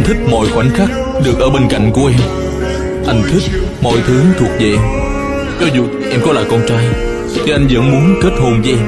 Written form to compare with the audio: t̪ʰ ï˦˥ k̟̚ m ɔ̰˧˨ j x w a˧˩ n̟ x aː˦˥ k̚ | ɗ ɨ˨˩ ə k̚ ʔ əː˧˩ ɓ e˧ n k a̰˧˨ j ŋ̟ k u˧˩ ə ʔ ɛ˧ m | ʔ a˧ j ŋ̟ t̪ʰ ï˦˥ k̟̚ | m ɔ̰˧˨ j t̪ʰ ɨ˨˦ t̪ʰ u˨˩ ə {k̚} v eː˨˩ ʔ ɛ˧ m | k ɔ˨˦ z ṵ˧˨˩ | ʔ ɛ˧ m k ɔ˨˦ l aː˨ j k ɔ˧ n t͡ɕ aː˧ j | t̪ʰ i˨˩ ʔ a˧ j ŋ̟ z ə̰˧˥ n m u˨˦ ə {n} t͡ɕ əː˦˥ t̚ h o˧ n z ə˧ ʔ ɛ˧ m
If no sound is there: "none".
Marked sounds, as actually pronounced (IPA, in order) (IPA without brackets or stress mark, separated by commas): k̚, n